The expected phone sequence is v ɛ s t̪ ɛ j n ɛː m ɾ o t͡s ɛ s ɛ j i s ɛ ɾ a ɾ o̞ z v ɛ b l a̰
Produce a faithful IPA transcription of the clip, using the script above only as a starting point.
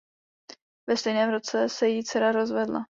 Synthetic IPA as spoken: v ɛ s t̪ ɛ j n ɛː m ɾ o t͡s ɛ s ɛ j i t͡s ɛ ɾ a ɾ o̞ z v ɛ d l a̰